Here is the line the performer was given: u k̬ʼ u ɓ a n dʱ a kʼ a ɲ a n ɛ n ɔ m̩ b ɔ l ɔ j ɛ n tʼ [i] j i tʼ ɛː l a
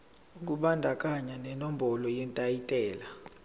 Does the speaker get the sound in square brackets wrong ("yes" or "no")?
yes